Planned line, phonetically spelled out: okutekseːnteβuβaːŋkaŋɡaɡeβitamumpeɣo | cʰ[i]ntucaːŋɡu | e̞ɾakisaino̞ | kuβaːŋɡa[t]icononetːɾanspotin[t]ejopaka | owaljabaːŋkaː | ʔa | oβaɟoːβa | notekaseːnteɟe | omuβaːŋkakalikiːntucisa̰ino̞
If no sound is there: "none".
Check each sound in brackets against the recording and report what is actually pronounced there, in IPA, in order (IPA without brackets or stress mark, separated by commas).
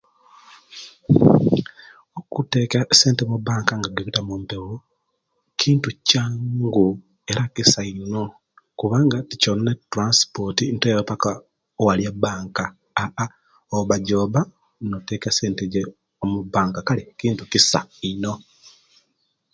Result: iː, t, t